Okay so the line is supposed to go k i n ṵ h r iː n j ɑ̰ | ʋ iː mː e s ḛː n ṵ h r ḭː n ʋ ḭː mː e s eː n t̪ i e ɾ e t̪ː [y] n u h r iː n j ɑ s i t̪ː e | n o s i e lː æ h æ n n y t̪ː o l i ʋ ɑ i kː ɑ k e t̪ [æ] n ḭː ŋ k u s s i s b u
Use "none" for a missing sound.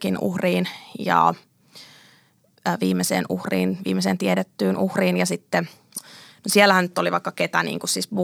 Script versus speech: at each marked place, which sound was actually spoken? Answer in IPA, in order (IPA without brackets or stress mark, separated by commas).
yː, æ